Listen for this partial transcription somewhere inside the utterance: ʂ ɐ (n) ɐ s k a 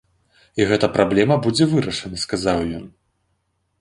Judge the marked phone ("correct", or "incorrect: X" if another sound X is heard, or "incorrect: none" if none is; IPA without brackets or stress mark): correct